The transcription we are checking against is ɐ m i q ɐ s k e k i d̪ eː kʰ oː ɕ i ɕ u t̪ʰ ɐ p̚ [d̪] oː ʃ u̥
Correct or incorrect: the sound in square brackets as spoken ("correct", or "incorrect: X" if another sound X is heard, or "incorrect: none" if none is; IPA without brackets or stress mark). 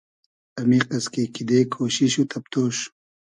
incorrect: t̪